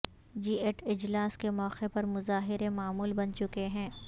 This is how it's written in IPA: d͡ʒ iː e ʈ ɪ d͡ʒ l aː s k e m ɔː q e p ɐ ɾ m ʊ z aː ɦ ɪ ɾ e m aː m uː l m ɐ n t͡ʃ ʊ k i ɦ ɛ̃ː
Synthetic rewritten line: d͡ʒ iː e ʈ ɪ d͡ʒ l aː s k e m ɔː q e p ɐ ɾ m ʊ z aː ɦ ɪ ɾ e m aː m uː l b ɐ n t͡ʃ ʊ k e ɦ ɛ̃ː

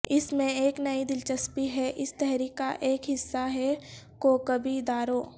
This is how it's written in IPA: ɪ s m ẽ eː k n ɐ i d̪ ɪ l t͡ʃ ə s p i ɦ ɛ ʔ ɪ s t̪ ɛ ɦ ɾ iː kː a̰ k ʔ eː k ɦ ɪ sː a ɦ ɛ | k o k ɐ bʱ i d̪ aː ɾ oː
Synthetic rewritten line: ɪ s m ẽ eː k n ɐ i d̪ ɪ l t͡ʃ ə s p i ɦ ɛ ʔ ɪ s t̪ ɛ ɦ ɾ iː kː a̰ ʔ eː k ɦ ɪ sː a ɦ ɛ | k o k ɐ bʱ i d̪ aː ɾ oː

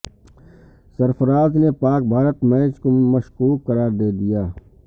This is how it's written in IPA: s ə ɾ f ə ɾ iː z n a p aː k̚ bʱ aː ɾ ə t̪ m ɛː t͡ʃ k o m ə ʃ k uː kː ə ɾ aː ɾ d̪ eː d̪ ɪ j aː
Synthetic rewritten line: s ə ɾ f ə ɾ aː z n e p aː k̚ bʱ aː ɾ ə t̪ m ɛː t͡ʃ k o m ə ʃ k uː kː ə ɾ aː ɾ d̪ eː d̪ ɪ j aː

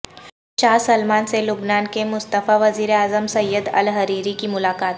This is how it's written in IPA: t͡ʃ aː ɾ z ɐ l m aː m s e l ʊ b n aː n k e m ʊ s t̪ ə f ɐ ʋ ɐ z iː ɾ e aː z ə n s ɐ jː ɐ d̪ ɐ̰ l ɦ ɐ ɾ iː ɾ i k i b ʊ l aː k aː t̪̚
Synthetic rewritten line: t͡ʃ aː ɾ s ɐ l m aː n s e l ʊ b n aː n k e m ʊ s t̪ ə f a ʋ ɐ z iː ɾ e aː z ə m s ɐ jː ə d̪ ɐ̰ l ɦ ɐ ɾ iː ɾ i k i m ʊ l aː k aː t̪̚

